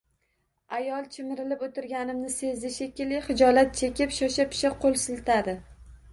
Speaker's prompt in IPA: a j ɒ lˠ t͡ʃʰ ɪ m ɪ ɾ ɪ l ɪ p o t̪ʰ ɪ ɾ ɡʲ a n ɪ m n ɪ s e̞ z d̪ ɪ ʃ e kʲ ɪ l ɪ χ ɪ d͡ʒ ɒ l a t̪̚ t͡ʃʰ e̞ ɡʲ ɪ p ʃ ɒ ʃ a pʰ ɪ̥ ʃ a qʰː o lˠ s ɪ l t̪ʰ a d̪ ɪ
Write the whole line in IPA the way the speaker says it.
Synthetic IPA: a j ɒ lˠ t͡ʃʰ ɪ m ɪ ɾ ɪ l ɪ p o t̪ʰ ɪ ɾ ɡʲ a n ɪ m n ɪ s e̞ z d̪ ɪ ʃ e kʲ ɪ l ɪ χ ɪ d͡ʒ ɒ l a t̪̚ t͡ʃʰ e̞ kʲ ɪ p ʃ ɒ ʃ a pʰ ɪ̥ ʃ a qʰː o lˠ s ɪ l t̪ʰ a d̪ ɪ